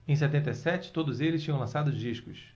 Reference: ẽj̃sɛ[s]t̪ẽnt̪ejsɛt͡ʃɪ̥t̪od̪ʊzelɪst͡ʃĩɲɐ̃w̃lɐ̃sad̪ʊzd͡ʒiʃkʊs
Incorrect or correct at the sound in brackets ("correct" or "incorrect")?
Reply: incorrect